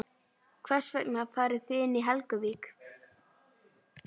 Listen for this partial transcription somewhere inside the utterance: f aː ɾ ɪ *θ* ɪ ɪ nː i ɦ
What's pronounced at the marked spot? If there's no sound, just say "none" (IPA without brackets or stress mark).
θ